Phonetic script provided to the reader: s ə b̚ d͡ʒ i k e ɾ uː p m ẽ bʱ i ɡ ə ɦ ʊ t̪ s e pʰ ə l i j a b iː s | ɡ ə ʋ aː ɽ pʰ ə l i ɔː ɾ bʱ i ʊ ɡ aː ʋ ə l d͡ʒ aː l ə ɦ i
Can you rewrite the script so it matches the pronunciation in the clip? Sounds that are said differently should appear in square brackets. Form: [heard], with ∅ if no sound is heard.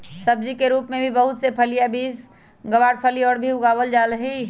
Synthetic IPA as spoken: s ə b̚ d͡ʒ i k e ɾ uː p m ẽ bʱ i [b] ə ɦ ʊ t̪ s e pʰ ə l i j a b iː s | ɡ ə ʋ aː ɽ pʰ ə l i ɔː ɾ bʱ i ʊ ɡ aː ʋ ə l d͡ʒ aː l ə ɦ i